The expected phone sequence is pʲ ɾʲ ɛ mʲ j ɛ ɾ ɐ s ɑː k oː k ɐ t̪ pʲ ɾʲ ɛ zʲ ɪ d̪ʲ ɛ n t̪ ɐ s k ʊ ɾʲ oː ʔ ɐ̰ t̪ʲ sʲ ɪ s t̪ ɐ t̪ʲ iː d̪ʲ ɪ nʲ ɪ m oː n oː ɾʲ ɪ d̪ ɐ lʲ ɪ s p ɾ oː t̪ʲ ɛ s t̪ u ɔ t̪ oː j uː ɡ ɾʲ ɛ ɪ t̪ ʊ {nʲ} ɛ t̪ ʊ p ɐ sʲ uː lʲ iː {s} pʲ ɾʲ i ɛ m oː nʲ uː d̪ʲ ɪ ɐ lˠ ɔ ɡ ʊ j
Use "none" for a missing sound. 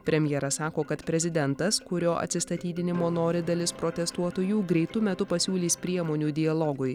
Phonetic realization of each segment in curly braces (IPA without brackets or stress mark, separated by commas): mʲ, s